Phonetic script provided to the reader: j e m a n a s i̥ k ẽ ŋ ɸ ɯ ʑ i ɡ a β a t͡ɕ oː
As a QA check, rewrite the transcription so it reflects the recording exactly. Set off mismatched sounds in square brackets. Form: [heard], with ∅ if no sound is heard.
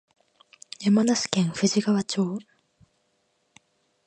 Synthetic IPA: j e m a n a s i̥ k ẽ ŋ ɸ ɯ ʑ i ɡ a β a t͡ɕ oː